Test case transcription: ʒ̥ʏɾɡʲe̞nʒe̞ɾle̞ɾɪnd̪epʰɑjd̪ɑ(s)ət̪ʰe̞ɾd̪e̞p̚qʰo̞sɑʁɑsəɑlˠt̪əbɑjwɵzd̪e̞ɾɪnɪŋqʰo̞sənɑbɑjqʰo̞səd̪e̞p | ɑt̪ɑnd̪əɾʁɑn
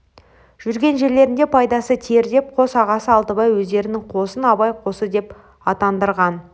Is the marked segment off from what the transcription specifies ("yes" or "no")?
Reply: no